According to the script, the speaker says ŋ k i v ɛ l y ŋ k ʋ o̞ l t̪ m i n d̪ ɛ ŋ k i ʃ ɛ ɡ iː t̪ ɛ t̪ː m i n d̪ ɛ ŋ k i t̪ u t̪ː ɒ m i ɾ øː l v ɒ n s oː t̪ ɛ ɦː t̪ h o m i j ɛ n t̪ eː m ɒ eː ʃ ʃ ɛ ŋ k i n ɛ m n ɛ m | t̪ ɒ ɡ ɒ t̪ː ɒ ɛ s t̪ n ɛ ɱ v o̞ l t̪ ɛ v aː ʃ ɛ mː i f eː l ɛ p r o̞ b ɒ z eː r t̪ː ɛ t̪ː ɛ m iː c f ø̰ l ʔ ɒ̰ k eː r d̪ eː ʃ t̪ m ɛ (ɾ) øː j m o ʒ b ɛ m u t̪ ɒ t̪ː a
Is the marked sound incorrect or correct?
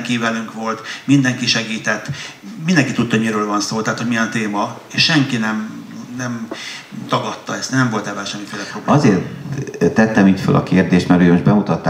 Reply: correct